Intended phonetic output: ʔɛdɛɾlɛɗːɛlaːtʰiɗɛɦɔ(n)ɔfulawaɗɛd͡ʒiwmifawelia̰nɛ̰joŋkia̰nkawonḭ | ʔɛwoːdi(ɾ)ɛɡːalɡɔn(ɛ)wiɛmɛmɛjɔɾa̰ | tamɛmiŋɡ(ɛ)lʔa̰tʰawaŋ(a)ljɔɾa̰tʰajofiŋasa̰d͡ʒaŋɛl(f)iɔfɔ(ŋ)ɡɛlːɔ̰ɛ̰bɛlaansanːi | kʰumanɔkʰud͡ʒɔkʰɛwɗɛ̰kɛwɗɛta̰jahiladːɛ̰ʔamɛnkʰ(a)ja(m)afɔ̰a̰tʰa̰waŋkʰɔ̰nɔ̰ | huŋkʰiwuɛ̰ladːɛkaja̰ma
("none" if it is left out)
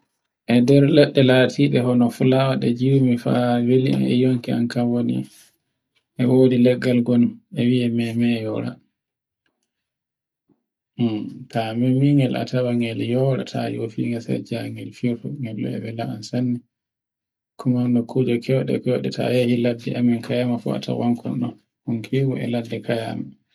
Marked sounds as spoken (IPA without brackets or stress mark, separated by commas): n, l, ɛ, ɛ, ɛ, f, ŋ, a, m